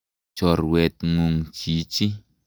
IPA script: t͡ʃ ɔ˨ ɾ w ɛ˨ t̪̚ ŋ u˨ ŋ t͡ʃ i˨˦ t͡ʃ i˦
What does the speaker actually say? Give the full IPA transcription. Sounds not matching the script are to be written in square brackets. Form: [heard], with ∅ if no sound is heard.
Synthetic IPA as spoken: t͡ʃ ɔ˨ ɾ w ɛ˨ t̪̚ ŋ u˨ ŋ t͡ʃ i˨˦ t͡ʃ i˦

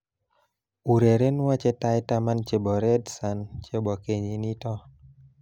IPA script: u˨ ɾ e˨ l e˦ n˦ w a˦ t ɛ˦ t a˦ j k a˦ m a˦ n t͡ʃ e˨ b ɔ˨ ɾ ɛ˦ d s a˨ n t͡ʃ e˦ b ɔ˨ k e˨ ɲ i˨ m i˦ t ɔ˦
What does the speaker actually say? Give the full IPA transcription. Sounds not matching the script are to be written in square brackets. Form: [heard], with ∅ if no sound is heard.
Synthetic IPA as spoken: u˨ ɾ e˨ [ɾ] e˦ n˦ w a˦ [t͡ʃ] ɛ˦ t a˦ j [t] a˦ m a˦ n t͡ʃ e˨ b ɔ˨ ɾ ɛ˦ d s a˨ n t͡ʃ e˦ b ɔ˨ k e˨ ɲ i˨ [n] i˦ t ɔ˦

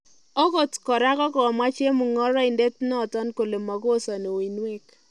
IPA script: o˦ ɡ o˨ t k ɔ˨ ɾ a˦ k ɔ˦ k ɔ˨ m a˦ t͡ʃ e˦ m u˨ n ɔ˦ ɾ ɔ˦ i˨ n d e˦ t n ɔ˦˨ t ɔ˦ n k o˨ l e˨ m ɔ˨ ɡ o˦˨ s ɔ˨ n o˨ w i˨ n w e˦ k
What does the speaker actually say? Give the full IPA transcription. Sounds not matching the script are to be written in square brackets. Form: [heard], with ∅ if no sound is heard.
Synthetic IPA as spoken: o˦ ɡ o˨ t k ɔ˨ ɾ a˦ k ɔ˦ k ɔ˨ m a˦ t͡ʃ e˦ m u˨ [ŋ] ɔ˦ ɾ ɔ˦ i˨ n d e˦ t n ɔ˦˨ t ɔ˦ n k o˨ l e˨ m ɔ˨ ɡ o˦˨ s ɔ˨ n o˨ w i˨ n w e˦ k

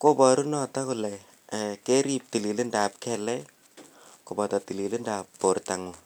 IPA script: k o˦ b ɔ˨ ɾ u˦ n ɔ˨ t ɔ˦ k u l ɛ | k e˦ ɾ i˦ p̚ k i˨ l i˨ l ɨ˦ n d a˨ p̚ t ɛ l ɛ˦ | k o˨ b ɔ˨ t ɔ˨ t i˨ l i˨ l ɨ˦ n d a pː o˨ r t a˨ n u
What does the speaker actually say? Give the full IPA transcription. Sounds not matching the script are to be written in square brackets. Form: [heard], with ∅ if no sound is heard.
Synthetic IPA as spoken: k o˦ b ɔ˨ ɾ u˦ n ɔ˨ t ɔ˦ k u l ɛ | k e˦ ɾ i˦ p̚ [t] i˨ l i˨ l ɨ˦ n d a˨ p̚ [k] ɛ l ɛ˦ | k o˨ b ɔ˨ t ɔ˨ t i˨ l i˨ l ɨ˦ n d a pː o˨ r t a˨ [ŋ] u

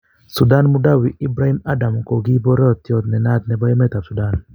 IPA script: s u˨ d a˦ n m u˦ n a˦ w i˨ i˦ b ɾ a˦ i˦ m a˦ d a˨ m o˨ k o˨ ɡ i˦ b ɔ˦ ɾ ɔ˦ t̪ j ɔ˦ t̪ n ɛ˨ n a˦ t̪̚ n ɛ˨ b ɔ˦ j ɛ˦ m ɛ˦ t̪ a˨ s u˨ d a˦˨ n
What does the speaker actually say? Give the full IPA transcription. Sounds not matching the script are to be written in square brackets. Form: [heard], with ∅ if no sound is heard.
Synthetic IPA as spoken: s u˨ d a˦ n m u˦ [d] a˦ w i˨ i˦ b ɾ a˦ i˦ m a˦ d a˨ m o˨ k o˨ ɡ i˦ b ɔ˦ ɾ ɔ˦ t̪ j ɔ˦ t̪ n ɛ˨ n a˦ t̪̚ n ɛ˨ b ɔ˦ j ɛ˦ m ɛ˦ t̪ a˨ s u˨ d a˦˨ n

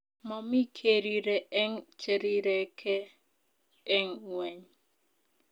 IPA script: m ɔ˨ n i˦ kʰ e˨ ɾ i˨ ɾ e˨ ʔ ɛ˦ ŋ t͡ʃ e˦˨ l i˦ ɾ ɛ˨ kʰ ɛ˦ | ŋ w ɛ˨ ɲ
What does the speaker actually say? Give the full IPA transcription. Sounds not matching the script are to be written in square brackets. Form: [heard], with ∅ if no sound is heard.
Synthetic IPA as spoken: m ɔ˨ [m] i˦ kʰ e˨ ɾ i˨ ɾ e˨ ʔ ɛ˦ ŋ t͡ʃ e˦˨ [ɾ] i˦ ɾ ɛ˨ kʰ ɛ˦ | ŋ w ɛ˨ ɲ

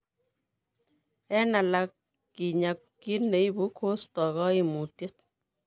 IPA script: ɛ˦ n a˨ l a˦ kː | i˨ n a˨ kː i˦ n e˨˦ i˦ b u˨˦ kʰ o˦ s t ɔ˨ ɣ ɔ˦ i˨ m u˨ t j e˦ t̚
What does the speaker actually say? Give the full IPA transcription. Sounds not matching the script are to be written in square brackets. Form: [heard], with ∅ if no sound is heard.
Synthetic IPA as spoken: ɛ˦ n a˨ l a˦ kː | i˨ [ɲ] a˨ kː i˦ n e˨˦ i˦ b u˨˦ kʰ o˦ s t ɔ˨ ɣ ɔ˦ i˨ m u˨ t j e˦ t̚

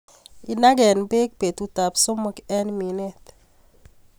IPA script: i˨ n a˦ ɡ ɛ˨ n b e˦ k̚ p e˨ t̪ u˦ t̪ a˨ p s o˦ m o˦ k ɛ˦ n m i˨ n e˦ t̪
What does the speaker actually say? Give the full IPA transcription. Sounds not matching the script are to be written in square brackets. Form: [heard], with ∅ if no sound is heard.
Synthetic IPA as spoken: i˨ n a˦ ɡ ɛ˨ n b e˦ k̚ p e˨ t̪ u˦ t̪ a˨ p s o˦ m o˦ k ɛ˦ n m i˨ n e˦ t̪

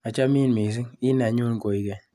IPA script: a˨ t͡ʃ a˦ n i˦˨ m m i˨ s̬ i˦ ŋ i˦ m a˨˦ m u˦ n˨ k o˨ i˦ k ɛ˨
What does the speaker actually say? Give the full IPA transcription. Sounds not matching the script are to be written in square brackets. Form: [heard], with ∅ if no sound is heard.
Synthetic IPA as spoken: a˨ t͡ʃ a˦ [m] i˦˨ [n] m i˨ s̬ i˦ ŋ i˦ [n] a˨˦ [ɲ] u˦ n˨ k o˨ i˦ k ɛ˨

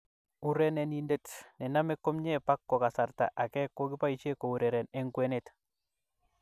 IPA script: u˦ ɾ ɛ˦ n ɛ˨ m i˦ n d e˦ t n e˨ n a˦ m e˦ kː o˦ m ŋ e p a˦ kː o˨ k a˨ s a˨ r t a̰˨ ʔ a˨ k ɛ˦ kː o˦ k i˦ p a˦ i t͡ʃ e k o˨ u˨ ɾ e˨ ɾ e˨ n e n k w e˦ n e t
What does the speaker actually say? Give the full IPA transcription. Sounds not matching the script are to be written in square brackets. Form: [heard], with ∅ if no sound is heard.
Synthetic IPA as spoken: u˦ ɾ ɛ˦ n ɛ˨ [n] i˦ n d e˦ t n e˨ n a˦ m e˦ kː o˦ m [ɲ] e p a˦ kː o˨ k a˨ s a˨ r t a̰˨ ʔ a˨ k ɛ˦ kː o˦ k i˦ p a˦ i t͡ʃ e k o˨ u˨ ɾ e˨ ɾ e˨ n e [ŋ] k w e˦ n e t

